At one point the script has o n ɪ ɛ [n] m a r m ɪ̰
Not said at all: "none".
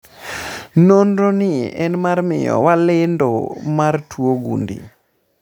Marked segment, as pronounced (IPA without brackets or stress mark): n